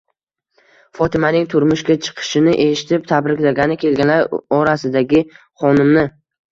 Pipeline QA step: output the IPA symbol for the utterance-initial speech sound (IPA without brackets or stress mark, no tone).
f